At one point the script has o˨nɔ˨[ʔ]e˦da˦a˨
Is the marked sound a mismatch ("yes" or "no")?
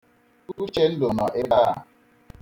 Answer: no